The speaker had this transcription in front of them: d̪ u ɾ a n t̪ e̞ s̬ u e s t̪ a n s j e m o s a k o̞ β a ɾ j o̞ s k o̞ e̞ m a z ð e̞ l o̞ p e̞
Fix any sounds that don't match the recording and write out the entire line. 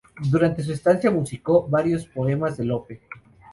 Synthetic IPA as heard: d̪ u ɾ a n t̪ e̞ s̬ u e s t̪ a n s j a m u s i k o̞ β a ɾ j o̞ s p o̞ e̞ m a z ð e̞ l o̞ p e̞